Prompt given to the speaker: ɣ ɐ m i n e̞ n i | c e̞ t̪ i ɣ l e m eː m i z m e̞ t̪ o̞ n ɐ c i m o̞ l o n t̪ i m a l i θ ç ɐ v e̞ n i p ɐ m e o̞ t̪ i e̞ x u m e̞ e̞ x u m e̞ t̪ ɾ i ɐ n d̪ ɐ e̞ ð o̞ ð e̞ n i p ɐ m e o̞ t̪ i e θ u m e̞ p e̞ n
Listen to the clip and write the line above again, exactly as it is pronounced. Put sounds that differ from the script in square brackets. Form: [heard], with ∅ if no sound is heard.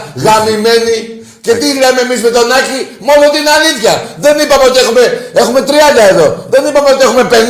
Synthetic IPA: ɣ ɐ m i [m] e̞ n i | c e̞ t̪ i ɣ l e m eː m i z m e̞ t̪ o̞ n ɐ c i m o̞ l o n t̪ i [n] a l i θ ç ɐ [ð] e̞ n i p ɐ m e o̞ t̪ i e̞ x u m e̞ e̞ x u m e̞ t̪ ɾ i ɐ n d̪ ɐ e̞ ð o̞ ð e̞ n i p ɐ m e o̞ t̪ i e [x] u m e̞ p e̞ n